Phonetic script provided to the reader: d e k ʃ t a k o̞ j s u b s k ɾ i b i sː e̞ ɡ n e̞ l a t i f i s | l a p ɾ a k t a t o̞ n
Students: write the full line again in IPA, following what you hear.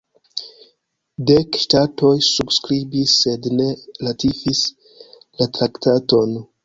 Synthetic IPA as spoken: d e k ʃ t a t o̞ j s u b s k ɾ i b i sː e̞ d n e̞ l a t i f i s | l a t ɾ a k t a t o̞ n